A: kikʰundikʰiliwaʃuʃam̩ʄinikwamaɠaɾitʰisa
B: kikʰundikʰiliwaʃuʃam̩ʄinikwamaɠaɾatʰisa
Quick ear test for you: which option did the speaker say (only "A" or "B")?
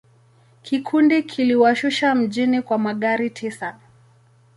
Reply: A